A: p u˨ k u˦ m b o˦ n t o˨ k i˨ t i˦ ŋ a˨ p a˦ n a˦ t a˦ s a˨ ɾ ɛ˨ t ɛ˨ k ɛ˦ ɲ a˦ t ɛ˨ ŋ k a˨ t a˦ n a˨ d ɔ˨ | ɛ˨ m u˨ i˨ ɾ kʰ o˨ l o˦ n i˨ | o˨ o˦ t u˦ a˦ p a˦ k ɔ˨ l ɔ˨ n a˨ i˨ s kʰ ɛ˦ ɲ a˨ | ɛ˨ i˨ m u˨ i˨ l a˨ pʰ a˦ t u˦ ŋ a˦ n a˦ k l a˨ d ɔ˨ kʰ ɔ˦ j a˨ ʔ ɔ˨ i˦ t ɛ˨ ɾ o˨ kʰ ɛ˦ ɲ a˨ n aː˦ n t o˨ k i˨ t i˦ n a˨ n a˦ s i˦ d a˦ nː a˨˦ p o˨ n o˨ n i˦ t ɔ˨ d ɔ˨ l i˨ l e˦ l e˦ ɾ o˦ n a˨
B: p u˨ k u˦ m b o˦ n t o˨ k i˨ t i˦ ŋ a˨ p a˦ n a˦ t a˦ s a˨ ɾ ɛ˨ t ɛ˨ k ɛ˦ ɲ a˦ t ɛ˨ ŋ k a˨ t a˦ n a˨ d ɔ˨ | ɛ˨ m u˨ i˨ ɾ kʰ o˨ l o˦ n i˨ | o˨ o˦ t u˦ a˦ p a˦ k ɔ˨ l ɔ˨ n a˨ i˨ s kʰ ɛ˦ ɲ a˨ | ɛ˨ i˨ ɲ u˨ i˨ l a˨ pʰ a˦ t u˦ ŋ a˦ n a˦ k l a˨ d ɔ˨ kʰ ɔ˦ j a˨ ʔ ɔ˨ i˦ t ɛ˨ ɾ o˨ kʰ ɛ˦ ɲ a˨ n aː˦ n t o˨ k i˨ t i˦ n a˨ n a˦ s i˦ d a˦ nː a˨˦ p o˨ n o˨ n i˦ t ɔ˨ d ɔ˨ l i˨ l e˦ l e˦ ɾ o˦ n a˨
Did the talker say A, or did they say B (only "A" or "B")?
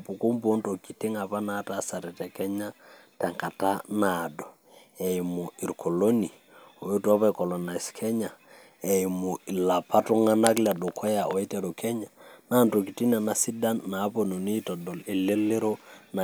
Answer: A